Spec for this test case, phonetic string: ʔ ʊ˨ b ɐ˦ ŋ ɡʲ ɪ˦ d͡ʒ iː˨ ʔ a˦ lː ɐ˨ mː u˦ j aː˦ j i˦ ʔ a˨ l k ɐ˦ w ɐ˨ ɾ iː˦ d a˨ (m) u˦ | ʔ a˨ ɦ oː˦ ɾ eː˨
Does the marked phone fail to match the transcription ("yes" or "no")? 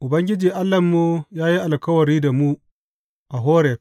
no